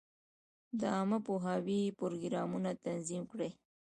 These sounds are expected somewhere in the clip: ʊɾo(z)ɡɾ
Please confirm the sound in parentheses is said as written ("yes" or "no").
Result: no